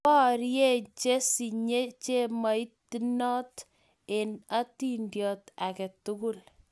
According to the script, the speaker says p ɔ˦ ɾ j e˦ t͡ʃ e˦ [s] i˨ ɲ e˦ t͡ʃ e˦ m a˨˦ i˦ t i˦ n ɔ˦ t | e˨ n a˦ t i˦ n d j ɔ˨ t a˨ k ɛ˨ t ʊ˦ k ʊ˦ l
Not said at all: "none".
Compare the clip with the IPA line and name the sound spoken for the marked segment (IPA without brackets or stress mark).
s